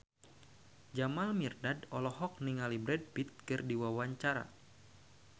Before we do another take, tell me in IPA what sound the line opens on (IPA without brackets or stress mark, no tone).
d͡ʒ